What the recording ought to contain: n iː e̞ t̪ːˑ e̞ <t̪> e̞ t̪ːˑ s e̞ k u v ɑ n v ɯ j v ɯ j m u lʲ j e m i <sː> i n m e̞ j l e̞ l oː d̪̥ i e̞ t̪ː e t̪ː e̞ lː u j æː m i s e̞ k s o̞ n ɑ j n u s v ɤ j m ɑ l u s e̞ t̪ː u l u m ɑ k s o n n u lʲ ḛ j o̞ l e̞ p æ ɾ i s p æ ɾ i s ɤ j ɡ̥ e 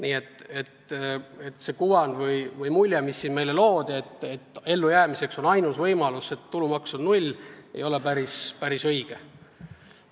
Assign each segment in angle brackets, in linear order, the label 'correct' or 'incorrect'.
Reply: correct, correct

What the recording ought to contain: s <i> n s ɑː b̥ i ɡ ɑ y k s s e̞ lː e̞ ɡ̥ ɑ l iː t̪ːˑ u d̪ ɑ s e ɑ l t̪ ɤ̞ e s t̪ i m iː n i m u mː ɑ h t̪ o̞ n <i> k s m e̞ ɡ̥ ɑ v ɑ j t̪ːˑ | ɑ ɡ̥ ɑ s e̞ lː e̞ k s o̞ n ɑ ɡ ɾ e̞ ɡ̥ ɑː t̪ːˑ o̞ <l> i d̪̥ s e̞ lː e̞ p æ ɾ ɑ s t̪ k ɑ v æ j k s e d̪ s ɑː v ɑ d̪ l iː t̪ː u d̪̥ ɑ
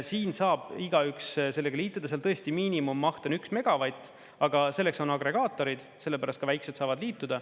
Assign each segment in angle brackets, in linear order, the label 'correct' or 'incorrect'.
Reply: incorrect, incorrect, incorrect

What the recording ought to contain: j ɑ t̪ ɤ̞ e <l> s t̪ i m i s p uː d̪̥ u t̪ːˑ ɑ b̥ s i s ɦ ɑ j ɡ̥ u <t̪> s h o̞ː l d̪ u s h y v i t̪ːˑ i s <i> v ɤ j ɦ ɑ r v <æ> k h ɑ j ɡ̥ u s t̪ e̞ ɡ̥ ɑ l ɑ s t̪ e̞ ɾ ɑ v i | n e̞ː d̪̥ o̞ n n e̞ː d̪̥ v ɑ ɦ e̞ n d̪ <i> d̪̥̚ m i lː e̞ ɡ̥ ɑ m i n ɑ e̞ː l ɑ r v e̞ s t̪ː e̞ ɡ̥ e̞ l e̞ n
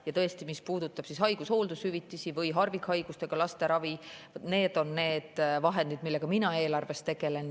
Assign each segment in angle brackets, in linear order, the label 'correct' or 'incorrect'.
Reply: incorrect, incorrect, correct, incorrect, correct

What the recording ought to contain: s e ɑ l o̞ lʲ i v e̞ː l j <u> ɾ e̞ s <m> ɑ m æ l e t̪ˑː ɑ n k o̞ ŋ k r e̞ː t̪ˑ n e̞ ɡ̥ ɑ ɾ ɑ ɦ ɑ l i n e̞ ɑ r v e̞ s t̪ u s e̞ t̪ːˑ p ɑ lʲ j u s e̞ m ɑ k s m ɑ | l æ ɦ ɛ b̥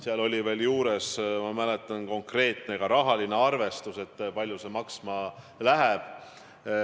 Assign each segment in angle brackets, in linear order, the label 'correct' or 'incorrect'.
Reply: incorrect, correct

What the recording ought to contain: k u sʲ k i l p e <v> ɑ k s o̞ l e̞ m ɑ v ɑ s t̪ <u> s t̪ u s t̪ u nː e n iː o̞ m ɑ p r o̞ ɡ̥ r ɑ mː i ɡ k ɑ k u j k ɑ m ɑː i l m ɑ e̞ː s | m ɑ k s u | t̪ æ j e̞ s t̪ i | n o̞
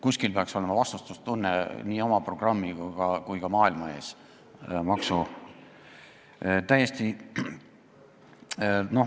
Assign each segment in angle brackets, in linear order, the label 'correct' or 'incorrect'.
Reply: incorrect, correct

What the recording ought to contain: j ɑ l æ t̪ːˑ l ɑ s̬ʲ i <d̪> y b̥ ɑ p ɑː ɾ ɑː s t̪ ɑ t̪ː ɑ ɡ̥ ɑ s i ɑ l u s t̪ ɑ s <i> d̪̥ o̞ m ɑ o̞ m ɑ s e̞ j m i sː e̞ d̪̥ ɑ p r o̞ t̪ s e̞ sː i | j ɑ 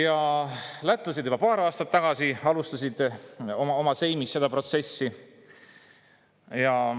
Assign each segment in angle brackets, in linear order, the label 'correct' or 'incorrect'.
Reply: correct, correct

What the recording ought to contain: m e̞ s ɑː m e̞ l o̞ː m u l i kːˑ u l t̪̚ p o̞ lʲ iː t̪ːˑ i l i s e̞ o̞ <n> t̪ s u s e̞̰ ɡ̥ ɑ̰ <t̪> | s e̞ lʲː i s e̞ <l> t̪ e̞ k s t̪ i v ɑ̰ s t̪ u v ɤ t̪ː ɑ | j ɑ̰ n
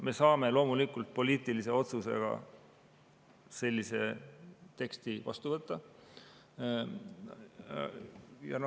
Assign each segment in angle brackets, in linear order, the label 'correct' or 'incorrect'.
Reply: incorrect, incorrect, incorrect

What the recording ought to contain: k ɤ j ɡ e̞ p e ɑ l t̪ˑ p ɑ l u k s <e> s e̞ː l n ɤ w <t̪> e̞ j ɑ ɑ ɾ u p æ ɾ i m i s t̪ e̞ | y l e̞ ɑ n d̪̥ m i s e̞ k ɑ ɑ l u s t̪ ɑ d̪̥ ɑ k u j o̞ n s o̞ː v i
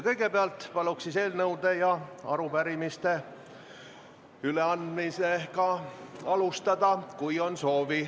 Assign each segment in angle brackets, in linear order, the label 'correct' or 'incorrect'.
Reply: incorrect, incorrect

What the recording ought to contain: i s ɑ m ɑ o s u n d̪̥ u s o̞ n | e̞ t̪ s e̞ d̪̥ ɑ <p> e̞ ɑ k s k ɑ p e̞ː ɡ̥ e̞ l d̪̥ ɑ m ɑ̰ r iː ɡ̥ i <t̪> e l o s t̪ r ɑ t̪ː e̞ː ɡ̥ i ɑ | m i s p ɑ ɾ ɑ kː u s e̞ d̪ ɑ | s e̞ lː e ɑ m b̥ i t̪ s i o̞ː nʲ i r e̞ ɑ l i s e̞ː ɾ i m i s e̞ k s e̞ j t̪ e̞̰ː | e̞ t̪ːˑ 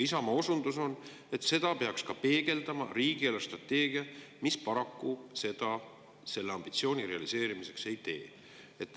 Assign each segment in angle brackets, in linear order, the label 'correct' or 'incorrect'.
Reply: correct, incorrect

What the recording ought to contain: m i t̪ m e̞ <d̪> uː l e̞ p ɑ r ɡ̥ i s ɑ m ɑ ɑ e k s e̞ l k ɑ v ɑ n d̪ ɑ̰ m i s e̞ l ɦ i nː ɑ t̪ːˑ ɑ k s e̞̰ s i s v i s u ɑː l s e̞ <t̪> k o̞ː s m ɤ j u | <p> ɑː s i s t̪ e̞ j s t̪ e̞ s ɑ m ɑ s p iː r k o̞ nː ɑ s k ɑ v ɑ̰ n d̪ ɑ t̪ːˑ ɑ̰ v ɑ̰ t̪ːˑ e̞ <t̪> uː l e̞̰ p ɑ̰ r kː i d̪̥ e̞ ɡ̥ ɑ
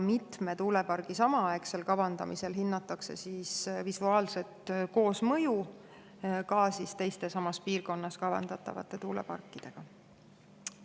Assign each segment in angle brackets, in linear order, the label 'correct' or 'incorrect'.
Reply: incorrect, correct, incorrect, correct

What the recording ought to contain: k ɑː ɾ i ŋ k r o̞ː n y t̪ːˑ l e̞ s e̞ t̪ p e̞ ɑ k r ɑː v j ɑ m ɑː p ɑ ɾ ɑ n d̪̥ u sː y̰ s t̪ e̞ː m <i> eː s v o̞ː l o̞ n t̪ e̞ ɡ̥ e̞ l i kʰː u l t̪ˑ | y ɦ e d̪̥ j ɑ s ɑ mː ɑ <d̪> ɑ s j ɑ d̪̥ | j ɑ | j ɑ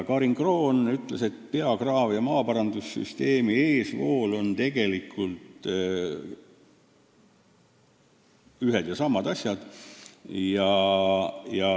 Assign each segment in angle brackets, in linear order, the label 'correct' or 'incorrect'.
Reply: correct, correct

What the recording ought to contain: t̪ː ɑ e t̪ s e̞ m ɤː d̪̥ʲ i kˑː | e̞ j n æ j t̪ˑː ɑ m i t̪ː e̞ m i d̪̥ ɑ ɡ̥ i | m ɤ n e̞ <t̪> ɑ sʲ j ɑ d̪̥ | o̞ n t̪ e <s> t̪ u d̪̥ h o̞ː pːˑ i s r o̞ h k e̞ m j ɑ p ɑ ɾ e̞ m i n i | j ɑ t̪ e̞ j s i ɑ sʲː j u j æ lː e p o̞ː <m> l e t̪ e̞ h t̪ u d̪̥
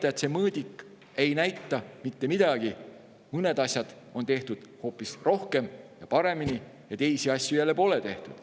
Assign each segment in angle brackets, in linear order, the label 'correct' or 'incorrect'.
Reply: incorrect, incorrect, incorrect

